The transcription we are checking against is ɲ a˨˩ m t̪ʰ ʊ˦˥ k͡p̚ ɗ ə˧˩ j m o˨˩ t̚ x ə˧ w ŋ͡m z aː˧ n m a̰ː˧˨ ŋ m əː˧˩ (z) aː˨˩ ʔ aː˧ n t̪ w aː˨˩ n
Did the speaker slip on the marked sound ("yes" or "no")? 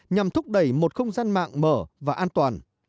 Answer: yes